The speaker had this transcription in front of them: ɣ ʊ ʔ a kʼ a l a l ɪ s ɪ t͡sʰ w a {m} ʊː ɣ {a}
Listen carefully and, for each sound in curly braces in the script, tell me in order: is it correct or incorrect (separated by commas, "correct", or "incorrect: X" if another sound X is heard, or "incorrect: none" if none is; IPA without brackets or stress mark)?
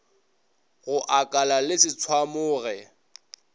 correct, incorrect: ɛ